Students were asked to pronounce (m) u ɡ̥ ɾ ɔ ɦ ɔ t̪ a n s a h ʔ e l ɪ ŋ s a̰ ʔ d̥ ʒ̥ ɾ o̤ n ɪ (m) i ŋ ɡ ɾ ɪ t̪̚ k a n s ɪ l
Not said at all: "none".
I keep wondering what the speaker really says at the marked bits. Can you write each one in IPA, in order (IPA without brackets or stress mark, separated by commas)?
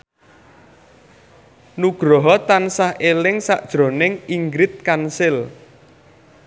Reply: n, ŋ